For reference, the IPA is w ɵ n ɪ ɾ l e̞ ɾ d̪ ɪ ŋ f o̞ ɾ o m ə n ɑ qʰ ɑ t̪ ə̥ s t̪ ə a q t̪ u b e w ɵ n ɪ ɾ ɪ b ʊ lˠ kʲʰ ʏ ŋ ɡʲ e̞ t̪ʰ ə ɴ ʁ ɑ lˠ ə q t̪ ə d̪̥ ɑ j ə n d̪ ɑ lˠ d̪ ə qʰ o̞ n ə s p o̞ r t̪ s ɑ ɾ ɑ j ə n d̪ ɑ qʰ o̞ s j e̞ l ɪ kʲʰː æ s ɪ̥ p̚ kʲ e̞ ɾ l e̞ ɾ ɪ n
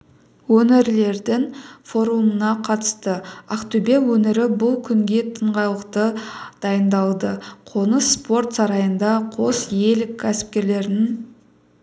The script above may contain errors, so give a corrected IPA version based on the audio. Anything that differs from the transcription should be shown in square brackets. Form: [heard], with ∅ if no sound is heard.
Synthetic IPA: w ɵ n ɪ ɾ l e̞ ɾ d̪ ɪ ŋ f o̞ ɾ [u] m ə n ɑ qʰ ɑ t̪ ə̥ s t̪ ə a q t̪ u b e w ɵ n ɪ ɾ ɪ b ʊ lˠ kʲʰ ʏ ŋ ɡʲ e̞ t̪ʰ ə ɴ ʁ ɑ lˠ ə q t̪ ə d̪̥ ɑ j ə n d̪ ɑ lˠ d̪ ə qʰ o̞ n ə s p o̞ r t̪ s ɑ ɾ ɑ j ə n d̪ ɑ qʰ o̞ s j e̞ l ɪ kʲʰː æ s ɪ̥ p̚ kʲ e̞ ɾ l e̞ ɾ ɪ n